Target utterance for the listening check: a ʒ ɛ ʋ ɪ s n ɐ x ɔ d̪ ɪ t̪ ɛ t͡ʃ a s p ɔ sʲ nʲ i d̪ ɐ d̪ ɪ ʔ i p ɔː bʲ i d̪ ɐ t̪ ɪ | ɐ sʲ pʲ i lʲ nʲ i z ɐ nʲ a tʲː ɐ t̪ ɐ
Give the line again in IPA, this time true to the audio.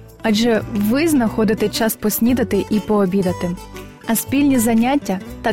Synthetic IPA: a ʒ ɛ ʋ ɪ z n ɐ x ɔ d̪ ɪ t̪ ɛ t͡ʃ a s p ɔ sʲ nʲ i d̪ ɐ t̪ ɪ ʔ i p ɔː bʲ i d̪ ɐ t̪ ɪ | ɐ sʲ pʲ i lʲ nʲ i z ɐ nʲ a tʲː ɐ t̪ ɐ